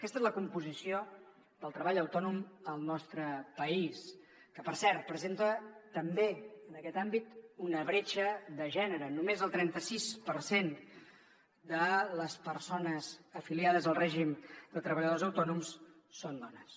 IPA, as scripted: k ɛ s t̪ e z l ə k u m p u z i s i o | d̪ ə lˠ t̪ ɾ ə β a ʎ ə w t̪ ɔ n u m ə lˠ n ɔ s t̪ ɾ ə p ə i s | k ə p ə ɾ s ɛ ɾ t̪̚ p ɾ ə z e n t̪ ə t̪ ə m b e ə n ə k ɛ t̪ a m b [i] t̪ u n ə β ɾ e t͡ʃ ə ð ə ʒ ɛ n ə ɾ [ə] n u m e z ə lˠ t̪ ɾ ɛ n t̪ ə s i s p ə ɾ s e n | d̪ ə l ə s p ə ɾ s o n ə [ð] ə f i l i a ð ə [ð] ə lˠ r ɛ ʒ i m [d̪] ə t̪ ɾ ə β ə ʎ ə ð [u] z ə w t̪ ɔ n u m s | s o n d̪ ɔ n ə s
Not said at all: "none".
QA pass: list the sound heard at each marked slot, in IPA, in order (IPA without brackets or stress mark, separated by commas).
i, ə, z, z, d̪, o